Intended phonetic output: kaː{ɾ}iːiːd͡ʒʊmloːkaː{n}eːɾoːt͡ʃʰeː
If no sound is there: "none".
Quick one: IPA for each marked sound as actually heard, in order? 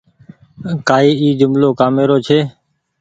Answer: none, m

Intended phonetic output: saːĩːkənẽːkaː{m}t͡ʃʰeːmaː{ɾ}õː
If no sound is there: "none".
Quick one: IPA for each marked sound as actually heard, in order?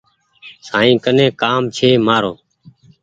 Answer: m, ɾ

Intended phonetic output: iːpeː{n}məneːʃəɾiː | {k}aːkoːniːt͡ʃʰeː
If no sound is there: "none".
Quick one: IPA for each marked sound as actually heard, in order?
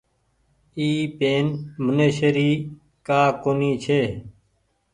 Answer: n, k

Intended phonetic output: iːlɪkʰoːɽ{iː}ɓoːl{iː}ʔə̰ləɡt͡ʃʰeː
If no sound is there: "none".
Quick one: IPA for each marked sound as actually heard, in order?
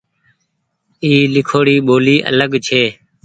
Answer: iː, iː

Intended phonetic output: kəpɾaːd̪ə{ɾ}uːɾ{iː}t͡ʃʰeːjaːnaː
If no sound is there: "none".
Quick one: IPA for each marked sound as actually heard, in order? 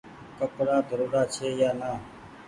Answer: ɾ, aː

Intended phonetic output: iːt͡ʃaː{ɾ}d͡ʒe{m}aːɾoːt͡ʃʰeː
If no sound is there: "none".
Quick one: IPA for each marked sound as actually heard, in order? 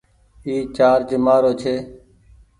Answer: ɾ, m

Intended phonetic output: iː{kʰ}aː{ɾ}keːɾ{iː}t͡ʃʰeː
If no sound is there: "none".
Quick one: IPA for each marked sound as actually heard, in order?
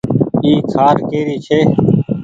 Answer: kʰ, ɾ, iː

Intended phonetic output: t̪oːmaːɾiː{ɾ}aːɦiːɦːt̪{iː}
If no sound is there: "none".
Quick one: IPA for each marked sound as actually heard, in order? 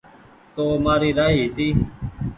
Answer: ɾ, iː

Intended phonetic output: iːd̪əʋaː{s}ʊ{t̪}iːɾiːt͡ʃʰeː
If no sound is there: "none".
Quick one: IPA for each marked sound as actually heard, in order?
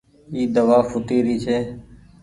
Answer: f, t̪

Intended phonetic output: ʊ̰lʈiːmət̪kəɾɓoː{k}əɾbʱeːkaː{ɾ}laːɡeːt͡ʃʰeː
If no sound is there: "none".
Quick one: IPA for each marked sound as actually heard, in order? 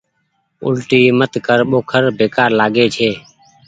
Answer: kʰ, ɾ

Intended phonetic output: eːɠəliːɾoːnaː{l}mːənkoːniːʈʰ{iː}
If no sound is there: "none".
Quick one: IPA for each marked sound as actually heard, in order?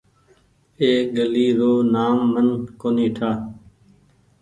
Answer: none, aː

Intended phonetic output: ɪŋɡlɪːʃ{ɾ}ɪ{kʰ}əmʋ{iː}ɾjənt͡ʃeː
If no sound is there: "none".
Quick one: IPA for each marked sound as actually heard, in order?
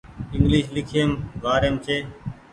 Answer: l, kʰ, aː

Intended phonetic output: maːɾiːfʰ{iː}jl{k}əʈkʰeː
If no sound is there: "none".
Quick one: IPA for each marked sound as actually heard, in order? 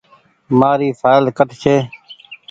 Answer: aː, k

